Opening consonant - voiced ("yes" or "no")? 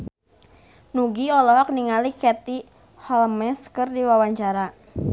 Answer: yes